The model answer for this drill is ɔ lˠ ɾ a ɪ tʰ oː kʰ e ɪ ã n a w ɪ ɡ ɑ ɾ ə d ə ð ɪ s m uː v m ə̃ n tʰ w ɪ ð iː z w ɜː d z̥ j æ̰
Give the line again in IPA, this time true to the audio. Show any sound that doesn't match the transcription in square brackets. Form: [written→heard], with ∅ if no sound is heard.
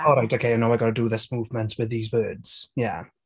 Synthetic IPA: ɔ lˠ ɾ a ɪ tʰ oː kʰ e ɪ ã n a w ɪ ɡ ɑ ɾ ə d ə ð ɪ s m uː v m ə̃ n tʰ w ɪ ð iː z w ɜː d z̥ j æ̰